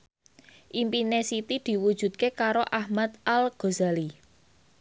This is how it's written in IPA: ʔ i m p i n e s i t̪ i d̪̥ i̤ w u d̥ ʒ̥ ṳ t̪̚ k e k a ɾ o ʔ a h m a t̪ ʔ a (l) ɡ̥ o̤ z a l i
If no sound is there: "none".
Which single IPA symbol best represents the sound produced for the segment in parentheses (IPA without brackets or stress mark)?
l